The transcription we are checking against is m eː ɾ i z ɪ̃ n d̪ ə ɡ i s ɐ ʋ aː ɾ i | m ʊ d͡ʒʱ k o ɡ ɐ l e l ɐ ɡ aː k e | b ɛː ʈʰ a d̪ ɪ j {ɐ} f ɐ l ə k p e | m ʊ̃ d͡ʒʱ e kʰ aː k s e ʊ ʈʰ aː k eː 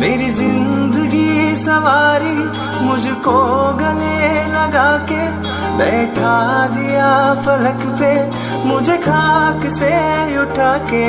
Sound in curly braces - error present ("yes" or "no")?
yes